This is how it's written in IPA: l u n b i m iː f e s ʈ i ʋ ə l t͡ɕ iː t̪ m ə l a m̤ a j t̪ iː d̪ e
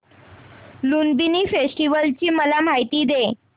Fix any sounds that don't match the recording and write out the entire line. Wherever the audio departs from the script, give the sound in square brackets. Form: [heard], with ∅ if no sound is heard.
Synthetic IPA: l u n b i [n] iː f e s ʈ i ʋ ə l t͡ɕ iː [∅] m ə l a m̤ a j t̪ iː d̪ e